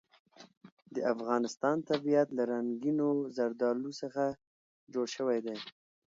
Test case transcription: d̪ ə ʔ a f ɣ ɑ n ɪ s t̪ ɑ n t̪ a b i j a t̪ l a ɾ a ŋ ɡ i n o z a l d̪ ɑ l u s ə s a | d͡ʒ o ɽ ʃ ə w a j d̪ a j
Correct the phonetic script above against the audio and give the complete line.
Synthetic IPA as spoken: d̪ ə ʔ a f ɣ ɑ n ɪ s t̪ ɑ n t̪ a b i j a t̪ l a ɾ a ŋ ɡ i n o z a ɾ d̪ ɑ l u s ə x a | d͡ʒ o ɽ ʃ ə w a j d̪ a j